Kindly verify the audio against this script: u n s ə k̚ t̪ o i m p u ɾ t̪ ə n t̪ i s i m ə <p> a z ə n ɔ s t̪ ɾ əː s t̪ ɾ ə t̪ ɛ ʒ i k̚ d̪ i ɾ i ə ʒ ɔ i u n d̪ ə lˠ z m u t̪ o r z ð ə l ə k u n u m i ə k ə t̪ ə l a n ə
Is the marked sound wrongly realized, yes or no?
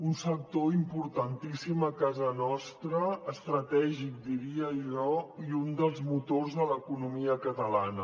yes